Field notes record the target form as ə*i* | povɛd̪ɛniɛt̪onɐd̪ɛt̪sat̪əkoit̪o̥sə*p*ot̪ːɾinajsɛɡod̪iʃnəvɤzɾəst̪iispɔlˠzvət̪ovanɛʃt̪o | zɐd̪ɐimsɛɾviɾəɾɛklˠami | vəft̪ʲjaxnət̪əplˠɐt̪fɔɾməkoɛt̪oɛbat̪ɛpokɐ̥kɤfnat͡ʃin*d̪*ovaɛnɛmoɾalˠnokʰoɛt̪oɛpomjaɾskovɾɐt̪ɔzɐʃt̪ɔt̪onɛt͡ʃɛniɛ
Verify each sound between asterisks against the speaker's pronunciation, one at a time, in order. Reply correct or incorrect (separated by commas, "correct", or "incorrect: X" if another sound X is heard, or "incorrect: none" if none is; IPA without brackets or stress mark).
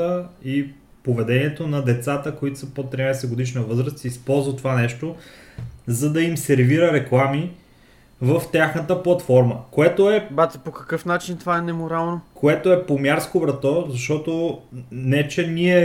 correct, correct, incorrect: t̪